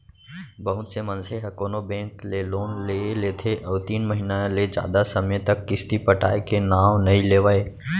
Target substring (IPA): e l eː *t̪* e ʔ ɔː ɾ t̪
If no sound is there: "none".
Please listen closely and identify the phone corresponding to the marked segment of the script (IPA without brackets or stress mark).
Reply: t̪ʰ